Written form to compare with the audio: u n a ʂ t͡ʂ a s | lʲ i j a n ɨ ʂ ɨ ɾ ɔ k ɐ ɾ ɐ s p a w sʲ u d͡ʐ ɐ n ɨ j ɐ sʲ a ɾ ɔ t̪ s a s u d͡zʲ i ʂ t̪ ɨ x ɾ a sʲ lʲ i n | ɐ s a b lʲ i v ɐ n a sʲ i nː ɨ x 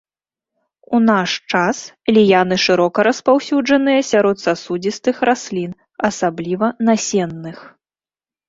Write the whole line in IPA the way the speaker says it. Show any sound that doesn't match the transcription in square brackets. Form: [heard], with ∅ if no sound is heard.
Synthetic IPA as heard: u n a ʂ t͡ʂ a s | lʲ i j a n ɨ ʂ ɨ ɾ ɔ k ɐ ɾ ɐ s p a w sʲ u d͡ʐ ɐ n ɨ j ɐ sʲ a ɾ ɔ t̪ s a s u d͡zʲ i [s] t̪ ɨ x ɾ a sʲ lʲ i n | ɐ s a b lʲ i v ɐ n a sʲ [ɛ] nː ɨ x